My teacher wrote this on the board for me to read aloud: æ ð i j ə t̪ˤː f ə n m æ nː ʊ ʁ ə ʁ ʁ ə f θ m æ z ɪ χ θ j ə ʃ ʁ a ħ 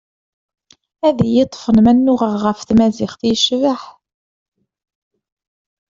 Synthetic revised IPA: æ ð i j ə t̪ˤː f ə n m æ nː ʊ ʁ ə ʁ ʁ ə f θ m æ z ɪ χ θ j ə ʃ v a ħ